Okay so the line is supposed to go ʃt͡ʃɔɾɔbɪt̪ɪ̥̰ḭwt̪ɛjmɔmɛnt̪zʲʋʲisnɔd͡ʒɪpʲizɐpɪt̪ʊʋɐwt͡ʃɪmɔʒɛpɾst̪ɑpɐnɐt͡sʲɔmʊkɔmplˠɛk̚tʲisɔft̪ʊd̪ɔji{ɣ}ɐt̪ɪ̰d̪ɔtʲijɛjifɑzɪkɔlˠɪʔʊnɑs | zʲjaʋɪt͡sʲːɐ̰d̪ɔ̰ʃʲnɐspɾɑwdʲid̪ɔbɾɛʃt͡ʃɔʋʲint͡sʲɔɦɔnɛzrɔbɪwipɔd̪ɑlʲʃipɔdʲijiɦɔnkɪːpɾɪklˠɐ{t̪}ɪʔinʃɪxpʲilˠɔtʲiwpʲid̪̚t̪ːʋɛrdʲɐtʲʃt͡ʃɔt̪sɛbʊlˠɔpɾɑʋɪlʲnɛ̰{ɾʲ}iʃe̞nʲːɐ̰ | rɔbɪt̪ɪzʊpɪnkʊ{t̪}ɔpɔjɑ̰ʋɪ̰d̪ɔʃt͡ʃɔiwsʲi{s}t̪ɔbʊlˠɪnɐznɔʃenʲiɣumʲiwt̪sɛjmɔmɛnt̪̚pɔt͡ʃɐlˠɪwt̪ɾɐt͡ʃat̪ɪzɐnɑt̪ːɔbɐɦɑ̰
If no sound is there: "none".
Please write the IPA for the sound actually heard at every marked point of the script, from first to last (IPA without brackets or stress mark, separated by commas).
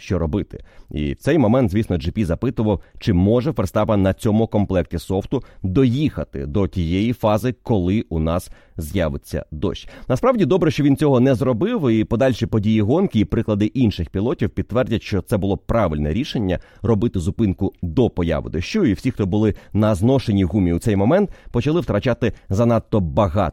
x, d̪, ɾʲ, d̪, x